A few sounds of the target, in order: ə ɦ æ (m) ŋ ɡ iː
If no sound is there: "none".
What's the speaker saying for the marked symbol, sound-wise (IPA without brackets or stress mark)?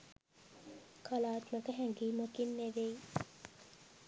none